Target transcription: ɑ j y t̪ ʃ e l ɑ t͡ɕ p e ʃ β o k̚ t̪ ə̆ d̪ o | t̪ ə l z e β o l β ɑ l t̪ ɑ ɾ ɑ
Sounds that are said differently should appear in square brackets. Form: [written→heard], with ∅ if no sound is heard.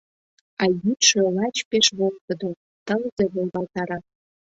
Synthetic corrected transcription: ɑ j y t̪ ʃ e l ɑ t͡ɕ p e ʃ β o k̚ t̪ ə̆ d̪ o | t̪ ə l z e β o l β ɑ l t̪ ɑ ɾ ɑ